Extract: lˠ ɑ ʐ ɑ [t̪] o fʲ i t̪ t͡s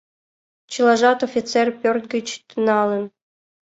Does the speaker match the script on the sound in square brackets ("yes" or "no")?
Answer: yes